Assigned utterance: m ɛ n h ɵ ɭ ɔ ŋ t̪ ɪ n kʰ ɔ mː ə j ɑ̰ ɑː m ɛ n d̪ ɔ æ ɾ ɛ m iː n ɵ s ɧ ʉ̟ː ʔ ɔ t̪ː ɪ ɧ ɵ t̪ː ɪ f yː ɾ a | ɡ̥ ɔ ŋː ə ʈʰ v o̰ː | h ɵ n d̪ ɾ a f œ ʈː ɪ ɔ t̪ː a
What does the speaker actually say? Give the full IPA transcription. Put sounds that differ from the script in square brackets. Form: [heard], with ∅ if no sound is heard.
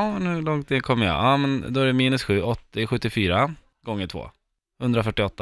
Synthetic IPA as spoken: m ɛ n h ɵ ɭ ɔ ŋ t̪ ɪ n kʰ ɔ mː ə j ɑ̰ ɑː m ɛ n d̪ ɔ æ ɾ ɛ m iː n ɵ s ɧ ʉ̟ː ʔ ɔ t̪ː ɪ ɧ ɵ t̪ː ɪ f yː ɾ a | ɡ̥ ɔ ŋː ə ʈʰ v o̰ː | h ɵ n d̪ ɾ a f œ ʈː ɪ ɔ t̪ː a